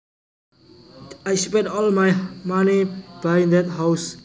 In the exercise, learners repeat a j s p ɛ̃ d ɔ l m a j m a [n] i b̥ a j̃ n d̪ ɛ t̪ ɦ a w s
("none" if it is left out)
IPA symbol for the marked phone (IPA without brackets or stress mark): n